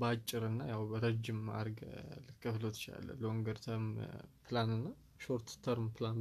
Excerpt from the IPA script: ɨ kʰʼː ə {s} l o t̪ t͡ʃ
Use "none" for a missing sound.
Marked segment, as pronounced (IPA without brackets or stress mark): f